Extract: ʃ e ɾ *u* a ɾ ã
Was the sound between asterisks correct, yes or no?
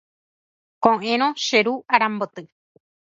yes